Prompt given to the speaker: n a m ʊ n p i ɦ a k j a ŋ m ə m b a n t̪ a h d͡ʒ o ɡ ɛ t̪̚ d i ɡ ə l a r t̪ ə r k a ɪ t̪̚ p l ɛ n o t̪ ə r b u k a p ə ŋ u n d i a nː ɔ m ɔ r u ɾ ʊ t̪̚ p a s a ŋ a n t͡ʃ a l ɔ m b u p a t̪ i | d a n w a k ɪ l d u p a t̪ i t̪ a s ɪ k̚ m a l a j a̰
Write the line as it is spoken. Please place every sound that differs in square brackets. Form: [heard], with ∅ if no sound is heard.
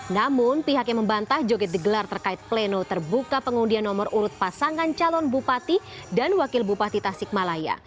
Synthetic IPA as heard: n a m ʊ n p i ɦ a k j a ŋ m ə m b a n t̪ a h d͡ʒ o ɡ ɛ t̪̚ d i ɡ ə l a r t̪ ə r k a ɪ t̪̚ p l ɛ n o t̪ ə r b u k a p ə ŋ u n d i a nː ɔ m ɔ r u ɾ ʊ t̪̚ p a s a ŋ a n t͡ʃ a l ɔ [n] b u p a t̪ i | d a n w a k ɪ l [b] u p a t̪ i t̪ a s ɪ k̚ m a l a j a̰